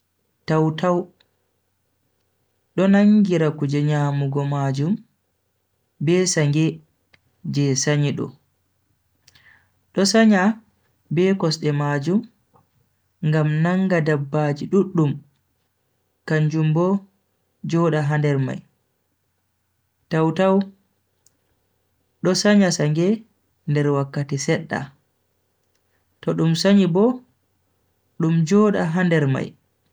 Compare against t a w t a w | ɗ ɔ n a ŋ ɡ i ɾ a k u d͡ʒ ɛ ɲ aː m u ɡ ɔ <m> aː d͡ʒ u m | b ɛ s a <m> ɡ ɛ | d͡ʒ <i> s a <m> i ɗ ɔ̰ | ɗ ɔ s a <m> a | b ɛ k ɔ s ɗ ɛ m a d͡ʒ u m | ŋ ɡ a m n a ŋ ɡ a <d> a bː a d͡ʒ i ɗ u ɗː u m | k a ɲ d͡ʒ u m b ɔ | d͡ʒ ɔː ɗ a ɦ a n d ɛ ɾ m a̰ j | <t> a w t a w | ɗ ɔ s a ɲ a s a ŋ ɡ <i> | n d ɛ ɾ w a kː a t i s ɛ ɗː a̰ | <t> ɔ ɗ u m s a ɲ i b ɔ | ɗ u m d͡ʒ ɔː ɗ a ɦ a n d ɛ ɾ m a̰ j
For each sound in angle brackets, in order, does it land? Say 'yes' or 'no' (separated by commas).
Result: yes, no, no, no, no, yes, yes, no, yes